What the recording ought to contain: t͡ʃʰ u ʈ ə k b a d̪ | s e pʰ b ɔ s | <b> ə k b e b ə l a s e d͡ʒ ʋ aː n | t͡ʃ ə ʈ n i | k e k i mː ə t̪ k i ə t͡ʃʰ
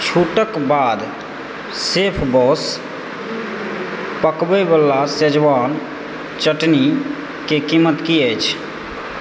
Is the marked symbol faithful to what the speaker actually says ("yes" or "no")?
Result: no